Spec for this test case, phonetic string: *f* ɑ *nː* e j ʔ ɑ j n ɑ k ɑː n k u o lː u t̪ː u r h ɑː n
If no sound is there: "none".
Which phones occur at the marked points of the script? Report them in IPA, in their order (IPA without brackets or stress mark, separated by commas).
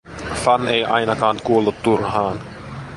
f, n